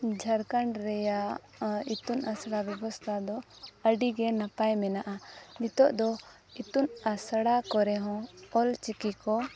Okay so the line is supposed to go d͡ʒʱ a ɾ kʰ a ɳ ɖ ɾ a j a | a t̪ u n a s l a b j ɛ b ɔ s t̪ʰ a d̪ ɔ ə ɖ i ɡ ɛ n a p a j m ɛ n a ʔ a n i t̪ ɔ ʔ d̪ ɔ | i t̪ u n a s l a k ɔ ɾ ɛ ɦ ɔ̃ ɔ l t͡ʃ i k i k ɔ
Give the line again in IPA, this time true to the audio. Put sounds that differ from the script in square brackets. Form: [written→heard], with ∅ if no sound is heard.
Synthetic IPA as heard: d͡ʒʱ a ɾ [kʰ→k] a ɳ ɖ ɾ [a→ɛ] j a | [a→i] t̪ u n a s [l→ɽ] a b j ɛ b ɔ s t̪ʰ a d̪ ɔ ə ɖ i ɡ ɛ n a p a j m ɛ n a ʔ a n i t̪ ɔ ʔ d̪ ɔ | i t̪ u n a s [l→ɽ] a k ɔ ɾ ɛ ɦ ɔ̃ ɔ l t͡ʃ i k i k ɔ